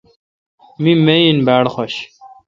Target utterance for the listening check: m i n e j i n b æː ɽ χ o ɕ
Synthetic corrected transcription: m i m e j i n b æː ɽ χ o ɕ